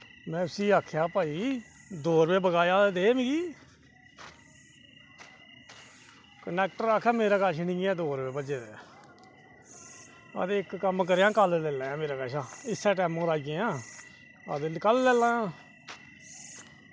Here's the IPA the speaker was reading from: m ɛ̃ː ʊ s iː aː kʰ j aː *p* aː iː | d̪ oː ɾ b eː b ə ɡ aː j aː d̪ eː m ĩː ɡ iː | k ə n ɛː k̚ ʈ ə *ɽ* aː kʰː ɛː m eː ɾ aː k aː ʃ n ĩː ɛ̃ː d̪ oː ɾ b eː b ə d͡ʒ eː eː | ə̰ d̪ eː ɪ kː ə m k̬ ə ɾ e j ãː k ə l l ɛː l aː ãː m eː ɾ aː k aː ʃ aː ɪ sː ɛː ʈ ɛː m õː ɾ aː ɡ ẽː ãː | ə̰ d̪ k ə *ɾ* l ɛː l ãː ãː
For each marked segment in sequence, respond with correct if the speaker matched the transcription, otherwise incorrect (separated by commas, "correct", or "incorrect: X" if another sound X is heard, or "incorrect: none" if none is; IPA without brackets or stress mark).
correct, incorrect: ɾ, incorrect: l